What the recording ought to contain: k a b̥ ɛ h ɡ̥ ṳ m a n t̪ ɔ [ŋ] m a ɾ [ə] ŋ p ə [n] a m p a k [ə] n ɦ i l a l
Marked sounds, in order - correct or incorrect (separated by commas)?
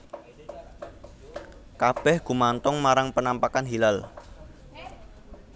correct, incorrect, correct, incorrect